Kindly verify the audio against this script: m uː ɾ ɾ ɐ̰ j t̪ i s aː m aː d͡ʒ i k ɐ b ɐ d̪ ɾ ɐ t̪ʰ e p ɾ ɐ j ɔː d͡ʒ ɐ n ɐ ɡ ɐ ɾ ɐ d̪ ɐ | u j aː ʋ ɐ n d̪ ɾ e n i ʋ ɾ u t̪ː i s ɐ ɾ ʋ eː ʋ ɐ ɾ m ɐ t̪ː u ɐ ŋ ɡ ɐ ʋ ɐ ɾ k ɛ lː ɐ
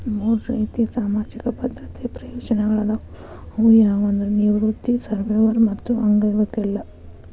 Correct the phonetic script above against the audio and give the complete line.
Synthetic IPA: m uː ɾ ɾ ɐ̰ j t̪ i s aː m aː d͡ʒ i k ɐ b ɐ d̪ ɾ ɐ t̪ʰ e p ɾ ɐ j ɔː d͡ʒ ɐ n ɐ ɡ ɐ ɭ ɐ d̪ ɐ | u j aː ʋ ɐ n d̪ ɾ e n i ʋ ɾ u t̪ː i s ɐ ɾ ʋ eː ʋ ɐ ɾ m ɐ t̪ː u ɐ ŋ ɡ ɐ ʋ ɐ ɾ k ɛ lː ɐ